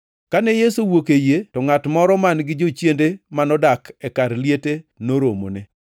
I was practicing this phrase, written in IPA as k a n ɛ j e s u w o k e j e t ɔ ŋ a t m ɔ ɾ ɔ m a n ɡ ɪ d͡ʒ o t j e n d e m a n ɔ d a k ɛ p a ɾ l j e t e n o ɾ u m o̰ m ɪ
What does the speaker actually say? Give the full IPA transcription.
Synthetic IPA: k a n ɛ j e s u w o k e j e t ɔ ŋ a t m ɔ ɾ ɔ m a n ɡ ɪ d͡ʒ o t͡ʃ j e n d e m a n ɔ d a k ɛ k a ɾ l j e t e n o ɾ o m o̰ n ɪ